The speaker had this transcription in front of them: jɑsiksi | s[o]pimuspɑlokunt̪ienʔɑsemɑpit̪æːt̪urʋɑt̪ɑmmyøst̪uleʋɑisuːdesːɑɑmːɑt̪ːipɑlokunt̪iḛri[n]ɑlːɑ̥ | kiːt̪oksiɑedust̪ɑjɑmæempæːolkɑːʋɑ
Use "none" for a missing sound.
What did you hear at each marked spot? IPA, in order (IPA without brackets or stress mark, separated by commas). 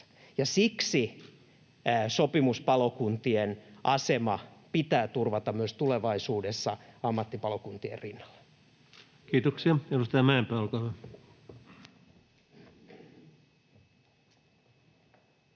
o, nː